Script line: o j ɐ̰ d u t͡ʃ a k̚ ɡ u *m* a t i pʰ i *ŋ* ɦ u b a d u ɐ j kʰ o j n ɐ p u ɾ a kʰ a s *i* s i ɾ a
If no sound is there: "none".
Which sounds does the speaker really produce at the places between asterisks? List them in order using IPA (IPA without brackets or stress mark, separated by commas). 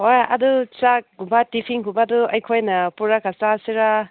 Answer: b, ŋ, a